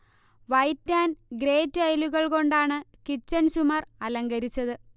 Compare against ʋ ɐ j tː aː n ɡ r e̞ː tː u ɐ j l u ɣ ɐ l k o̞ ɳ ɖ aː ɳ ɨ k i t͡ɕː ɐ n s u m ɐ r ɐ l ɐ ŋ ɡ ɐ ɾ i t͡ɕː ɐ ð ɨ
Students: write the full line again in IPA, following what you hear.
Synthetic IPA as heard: ʋ ɐ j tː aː n ɡ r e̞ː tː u ɐ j l u ɣ ɐ ɭ k o̞ ɳ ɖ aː ɳ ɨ k i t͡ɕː ɐ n s u m ɐ r ɐ l ɐ ŋ ɡ ɐ ɾ i t͡ɕː ɐ ð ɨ